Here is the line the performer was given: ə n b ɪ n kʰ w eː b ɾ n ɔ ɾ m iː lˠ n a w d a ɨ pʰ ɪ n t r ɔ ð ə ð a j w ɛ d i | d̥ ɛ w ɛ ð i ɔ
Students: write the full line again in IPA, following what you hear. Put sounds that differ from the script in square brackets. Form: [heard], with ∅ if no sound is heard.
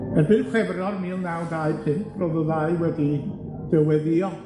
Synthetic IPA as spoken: ə n b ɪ n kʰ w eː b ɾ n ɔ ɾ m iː lˠ n a w d a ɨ pʰ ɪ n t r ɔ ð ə ð a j w ɛ d i | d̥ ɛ w ɛ ð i ɔ